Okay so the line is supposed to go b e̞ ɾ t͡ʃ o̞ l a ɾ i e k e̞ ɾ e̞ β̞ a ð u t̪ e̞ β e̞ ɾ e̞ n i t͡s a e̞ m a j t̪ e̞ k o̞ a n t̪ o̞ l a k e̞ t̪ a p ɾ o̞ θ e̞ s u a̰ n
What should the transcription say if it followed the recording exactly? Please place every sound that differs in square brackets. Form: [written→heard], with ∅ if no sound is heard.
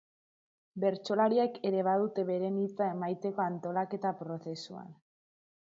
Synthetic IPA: b e̞ ɾ t͡ʃ o̞ l a ɾ i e k e̞ ɾ e̞ β̞ a ð u t̪ e̞ β e̞ ɾ e̞ n i t͡s a e̞ m a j t̪ e̞ k o̞ a n t̪ o̞ l a k e̞ t̪ a p ɾ o̞ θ e̞ s u a̰ n